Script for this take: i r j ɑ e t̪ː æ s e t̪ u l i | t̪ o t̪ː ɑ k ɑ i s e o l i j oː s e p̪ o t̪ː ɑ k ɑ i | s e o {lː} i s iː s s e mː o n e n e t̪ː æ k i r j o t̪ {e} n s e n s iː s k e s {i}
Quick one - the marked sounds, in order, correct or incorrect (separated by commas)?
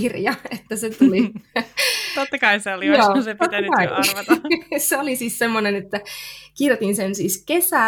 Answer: incorrect, incorrect, incorrect